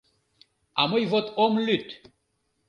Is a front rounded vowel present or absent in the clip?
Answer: present